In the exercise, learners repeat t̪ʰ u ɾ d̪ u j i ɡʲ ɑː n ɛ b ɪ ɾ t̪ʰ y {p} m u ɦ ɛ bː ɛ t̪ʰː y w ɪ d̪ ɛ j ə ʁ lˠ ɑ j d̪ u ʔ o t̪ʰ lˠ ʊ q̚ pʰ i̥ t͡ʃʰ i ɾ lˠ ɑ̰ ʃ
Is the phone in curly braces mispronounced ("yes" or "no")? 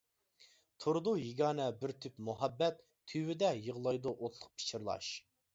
no